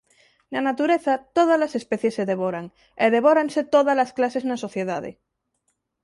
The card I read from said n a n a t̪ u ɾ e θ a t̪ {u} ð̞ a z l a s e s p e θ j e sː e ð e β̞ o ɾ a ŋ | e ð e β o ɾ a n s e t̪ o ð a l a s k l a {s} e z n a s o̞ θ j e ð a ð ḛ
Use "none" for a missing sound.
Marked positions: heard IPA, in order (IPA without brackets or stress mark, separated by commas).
o, s